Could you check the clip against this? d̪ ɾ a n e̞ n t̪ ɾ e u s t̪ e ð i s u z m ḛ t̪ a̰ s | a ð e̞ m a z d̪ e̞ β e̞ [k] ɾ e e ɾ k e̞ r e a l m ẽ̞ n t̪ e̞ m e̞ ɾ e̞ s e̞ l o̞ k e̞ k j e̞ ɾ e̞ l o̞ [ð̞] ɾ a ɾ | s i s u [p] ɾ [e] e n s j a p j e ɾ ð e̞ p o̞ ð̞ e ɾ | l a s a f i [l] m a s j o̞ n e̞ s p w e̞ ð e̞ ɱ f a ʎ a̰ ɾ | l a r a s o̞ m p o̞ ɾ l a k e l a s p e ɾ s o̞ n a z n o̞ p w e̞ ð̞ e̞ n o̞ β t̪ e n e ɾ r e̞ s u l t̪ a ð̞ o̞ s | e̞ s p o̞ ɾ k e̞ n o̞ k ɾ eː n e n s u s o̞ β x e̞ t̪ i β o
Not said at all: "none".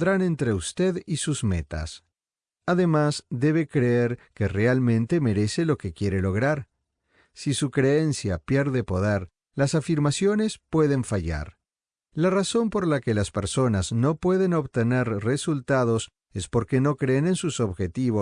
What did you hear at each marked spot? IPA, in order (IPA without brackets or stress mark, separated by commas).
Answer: k, ɣ̞, k, e, ɾ